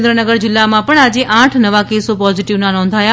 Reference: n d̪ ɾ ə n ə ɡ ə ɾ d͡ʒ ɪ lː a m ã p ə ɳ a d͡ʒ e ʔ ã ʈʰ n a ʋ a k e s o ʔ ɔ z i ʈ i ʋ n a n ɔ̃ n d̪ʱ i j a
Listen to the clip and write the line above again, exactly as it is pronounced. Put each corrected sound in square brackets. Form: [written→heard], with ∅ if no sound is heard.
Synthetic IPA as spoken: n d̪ ɾ ə n ə ɡ ə ɾ d͡ʒ ɪ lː a m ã p ə ɳ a d͡ʒ e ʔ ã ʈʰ n [a→ə] ʋ a k e s o [ʔ→p] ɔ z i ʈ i ʋ n a n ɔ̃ n d̪ʱ [i→a] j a

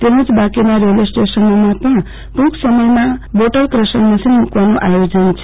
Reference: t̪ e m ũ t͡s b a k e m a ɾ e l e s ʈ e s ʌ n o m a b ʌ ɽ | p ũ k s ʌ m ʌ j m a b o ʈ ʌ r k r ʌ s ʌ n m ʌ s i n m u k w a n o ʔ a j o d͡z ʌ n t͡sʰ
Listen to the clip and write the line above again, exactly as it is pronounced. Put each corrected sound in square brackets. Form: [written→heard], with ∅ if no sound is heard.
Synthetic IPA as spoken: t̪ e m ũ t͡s b a k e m a ɾ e l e s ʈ e s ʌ n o m a [b→p] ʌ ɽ | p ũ k s ʌ m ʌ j m a b o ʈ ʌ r k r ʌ s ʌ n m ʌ s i n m u k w a n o ʔ a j o d͡z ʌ n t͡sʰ

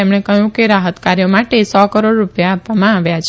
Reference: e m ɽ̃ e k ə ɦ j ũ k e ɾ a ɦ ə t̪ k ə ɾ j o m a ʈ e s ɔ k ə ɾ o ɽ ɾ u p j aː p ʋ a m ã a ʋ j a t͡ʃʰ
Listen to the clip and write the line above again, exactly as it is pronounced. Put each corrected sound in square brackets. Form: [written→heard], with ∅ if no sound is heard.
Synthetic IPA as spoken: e m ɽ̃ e k ə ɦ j ũ k e ɾ a ɦ ə t̪ k [ə→a] ɾ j o m a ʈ e s ɔ k ə ɾ o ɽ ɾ u p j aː p ʋ a m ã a ʋ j a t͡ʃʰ

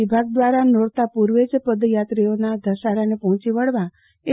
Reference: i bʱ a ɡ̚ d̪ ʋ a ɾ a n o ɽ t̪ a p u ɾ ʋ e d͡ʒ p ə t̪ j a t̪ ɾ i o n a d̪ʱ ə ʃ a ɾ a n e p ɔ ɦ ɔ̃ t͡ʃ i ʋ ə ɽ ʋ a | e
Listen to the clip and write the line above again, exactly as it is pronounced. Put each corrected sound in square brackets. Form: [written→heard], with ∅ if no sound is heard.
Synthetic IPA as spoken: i bʱ a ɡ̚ d̪ ʋ a ɾ a n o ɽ t̪ a p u ɾ ʋ e d͡ʒ p ə [t̪→d̪] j a t̪ ɾ i o n a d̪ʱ ə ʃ a ɾ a n e p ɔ ɦ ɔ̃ t͡ʃ i ʋ ə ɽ ʋ a | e

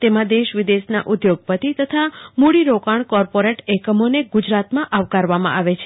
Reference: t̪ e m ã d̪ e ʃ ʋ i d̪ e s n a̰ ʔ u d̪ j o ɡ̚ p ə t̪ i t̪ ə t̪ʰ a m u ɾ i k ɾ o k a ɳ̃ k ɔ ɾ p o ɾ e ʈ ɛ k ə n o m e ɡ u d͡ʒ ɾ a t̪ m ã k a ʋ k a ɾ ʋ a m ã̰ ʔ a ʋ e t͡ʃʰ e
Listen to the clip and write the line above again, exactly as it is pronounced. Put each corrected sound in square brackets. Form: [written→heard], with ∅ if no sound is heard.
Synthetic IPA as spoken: t̪ e m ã d̪ e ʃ ʋ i d̪ e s n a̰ ʔ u d̪ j o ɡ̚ p ə t̪ i t̪ ə t̪ʰ a m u [ɾ→ɽ] i [k→∅] ɾ o k a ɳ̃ k ɔ ɾ p o ɾ e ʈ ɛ k ə [n→m] o [m→n] e ɡ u d͡ʒ ɾ a t̪ m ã [k→ʔ] a ʋ k a ɾ ʋ a m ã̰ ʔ a ʋ e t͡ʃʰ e

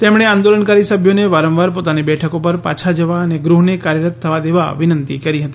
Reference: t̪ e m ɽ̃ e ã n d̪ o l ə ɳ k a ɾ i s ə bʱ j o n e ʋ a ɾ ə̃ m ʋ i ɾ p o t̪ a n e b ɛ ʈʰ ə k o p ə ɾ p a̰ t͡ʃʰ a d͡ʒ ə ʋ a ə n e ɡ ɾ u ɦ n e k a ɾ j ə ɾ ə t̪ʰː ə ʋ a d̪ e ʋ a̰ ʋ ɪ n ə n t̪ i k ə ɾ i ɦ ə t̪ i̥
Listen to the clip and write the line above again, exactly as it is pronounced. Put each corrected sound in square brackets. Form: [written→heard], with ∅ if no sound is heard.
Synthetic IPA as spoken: t̪ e m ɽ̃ e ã n d̪ o l ə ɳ k a ɾ i s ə bʱ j o n e ʋ a ɾ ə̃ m ʋ [i→a] ɾ p o t̪ a n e b ɛ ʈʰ ə k o p ə ɾ p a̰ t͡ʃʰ a d͡ʒ ə ʋ a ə n e ɡ ɾ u ɦ n e k a ɾ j ə ɾ ə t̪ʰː ə ʋ a d̪ e ʋ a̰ ʋ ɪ n ə n t̪ i k ə ɾ i ɦ ə t̪ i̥

